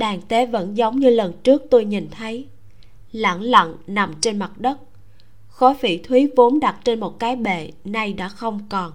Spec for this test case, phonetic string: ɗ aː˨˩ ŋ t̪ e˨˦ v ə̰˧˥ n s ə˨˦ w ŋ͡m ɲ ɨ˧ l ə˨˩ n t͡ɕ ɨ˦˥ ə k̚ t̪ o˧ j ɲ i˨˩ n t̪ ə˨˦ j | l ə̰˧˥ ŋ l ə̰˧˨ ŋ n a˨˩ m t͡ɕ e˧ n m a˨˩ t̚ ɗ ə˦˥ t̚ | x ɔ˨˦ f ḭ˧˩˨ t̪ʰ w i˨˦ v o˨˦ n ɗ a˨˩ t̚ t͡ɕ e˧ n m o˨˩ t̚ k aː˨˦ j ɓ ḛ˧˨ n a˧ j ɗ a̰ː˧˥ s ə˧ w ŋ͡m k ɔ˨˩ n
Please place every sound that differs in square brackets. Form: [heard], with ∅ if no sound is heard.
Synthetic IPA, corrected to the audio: ɗ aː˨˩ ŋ t̪ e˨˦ v ə̰˧˥ n [z] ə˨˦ w ŋ͡m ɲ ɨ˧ l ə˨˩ n t͡ɕ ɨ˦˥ ə k̚ t̪ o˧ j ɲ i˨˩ n [t̪ʰ] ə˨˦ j | l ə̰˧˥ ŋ l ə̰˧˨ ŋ n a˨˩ m t͡ɕ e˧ n m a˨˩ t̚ ɗ ə˦˥ t̚ | x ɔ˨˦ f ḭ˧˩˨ t̪ʰ w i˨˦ v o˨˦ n ɗ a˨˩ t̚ t͡ɕ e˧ n m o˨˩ t̚ k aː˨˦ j ɓ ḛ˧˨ n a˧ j ɗ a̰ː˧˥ [x] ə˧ w ŋ͡m k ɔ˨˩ n